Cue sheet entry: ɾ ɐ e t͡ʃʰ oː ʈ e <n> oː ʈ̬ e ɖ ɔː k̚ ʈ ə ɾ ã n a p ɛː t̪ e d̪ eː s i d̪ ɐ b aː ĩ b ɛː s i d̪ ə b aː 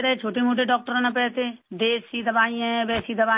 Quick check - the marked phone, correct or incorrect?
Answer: incorrect